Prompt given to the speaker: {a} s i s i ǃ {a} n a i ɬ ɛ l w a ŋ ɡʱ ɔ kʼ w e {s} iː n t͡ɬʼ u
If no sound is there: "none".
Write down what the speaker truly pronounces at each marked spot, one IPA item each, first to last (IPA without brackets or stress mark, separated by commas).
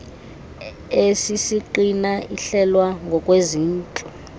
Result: e, i, z